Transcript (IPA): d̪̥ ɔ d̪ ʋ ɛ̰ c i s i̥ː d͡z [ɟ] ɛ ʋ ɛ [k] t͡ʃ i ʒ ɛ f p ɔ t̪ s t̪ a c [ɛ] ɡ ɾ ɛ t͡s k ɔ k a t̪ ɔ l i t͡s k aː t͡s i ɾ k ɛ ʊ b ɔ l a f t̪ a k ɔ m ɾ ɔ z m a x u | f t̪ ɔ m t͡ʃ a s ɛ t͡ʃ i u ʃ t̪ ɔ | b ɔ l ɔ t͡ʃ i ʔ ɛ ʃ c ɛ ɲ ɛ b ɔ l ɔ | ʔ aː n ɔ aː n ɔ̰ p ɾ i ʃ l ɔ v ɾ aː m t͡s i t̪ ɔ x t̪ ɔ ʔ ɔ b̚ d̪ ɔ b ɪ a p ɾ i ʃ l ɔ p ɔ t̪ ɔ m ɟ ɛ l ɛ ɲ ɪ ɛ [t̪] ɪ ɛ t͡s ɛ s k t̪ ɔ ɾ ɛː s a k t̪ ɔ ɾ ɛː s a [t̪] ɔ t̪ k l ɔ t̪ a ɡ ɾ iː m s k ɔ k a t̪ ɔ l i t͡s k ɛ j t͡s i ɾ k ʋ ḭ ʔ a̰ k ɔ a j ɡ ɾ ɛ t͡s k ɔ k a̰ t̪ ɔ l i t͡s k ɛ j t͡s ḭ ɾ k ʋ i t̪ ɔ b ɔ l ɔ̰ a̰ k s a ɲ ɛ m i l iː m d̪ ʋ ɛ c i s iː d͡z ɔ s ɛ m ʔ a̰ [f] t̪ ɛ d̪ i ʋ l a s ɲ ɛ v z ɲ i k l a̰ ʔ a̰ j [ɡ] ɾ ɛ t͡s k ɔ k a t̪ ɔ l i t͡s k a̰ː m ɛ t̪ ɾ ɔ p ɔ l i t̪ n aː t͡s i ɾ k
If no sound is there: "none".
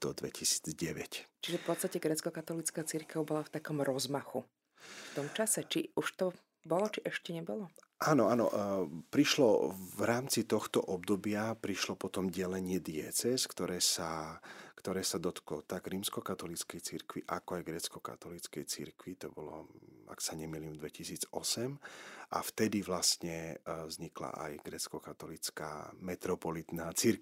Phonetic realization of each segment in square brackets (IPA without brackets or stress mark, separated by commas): ɟ, c, ɛ, d̪, d̪, f, ɡ